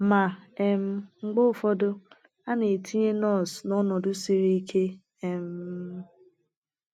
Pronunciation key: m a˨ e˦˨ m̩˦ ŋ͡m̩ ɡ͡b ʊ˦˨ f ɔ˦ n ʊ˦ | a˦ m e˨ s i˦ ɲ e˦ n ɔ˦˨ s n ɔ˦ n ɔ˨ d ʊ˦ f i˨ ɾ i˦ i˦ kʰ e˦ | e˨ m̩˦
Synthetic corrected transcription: m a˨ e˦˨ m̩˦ ŋ͡m̩ ɡ͡b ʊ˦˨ f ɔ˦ d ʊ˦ | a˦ n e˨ t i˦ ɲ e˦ n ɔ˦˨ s n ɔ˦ n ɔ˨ d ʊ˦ s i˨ ɾ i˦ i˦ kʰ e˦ | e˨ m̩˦